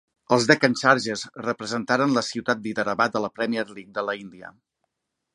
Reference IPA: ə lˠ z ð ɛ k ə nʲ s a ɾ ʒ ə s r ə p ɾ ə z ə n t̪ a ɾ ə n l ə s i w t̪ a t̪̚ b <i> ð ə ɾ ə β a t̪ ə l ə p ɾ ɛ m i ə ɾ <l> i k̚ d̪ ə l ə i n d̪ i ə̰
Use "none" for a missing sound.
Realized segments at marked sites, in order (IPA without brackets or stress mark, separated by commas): i, l